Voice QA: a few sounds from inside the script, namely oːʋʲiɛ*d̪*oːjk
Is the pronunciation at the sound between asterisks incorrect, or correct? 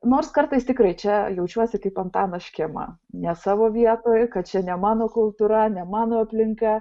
incorrect: t̪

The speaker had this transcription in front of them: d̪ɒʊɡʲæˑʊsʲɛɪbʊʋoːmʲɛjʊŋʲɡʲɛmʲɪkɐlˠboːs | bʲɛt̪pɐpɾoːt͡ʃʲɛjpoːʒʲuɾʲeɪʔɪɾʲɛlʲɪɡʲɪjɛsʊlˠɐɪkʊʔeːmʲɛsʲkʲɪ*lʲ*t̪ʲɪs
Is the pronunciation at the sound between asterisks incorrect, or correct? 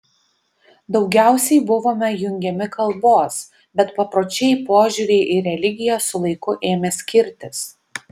incorrect: ɾʲ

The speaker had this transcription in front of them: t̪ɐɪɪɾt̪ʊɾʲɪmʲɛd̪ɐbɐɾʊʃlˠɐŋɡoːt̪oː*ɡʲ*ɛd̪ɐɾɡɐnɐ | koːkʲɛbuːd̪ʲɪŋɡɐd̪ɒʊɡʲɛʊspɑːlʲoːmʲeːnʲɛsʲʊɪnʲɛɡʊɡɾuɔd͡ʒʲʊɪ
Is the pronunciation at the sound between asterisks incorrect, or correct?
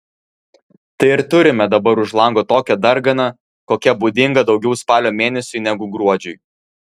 incorrect: kʲ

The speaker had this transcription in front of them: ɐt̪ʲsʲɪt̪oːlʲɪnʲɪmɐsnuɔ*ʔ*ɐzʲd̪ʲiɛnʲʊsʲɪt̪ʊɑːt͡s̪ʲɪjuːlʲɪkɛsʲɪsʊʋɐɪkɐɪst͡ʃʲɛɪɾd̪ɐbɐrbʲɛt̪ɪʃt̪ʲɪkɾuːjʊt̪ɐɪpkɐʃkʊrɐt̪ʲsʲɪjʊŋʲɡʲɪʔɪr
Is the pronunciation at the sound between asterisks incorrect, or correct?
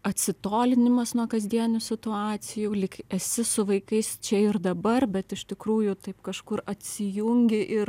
incorrect: k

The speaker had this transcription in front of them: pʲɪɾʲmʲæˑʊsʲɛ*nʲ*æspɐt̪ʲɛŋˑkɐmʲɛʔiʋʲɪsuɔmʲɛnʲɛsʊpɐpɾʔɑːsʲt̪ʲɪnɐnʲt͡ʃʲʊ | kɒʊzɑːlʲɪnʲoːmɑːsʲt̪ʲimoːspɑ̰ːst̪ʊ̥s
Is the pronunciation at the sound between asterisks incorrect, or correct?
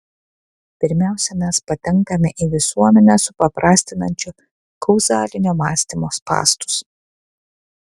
incorrect: mʲ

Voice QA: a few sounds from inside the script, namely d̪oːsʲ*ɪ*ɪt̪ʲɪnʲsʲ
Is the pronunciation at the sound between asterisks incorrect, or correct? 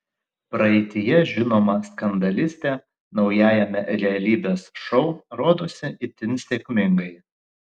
correct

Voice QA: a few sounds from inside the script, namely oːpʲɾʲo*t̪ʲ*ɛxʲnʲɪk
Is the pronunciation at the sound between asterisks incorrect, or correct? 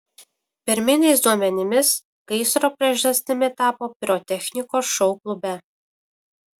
correct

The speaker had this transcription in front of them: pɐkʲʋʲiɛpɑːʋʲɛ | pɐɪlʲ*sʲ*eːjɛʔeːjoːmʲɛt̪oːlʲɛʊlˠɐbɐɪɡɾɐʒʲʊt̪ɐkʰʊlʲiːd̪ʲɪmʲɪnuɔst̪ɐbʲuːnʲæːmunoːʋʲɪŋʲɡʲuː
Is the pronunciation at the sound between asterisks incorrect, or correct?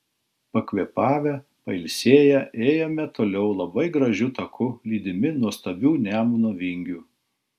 correct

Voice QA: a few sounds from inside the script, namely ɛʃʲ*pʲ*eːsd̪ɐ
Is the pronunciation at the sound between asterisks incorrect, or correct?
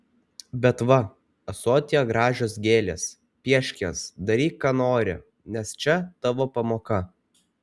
incorrect: kʲ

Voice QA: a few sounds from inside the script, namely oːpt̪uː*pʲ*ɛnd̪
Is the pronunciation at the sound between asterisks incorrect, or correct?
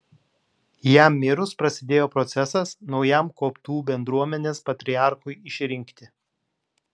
incorrect: bʲ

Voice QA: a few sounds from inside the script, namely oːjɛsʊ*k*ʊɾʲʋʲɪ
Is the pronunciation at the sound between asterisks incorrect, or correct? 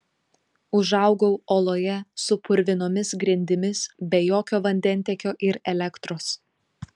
incorrect: p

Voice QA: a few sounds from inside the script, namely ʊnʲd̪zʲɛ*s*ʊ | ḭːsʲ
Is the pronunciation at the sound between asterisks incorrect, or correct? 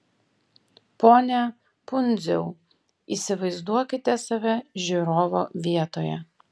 incorrect: none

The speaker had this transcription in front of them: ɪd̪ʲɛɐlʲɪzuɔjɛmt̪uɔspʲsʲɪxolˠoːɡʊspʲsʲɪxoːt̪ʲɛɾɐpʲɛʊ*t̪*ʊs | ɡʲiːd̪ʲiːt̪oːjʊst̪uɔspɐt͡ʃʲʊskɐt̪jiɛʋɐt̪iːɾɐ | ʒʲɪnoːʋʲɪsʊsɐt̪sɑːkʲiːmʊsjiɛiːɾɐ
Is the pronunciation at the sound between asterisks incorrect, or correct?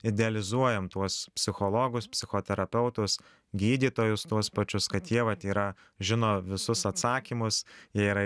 correct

